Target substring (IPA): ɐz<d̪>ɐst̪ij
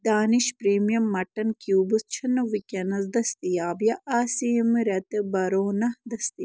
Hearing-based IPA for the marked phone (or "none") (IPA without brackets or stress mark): d̪